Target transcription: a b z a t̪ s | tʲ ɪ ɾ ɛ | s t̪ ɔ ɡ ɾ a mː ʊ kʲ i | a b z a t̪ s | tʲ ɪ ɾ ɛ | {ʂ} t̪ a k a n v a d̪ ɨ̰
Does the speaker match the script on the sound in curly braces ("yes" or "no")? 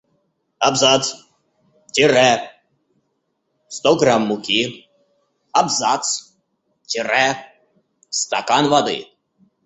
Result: no